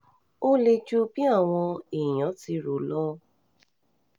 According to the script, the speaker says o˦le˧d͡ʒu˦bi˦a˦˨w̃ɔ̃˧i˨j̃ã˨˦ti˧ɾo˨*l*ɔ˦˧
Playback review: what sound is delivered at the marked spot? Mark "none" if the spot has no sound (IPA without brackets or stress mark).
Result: l